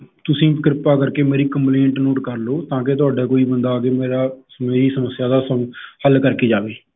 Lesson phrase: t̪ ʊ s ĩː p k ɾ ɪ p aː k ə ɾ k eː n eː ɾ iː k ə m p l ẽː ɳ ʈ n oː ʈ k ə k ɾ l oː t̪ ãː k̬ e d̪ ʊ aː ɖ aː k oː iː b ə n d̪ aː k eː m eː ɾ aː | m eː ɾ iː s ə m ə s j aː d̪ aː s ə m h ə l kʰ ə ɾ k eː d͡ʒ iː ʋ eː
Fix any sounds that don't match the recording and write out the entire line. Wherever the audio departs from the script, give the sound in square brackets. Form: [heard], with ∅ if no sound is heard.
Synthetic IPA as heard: t̪ ʊ s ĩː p k ɾ ɪ p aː k ə ɾ k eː [m] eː ɾ iː k ə m p l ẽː ɳ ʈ n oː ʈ k ə [∅] ɾ l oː t̪ ãː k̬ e [t̪] ʊ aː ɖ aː k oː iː b ə n d̪ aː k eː m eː ɾ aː | m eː ɾ iː s ə m ə s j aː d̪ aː s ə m h ə l [k] ə ɾ k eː d͡ʒ [aː] ʋ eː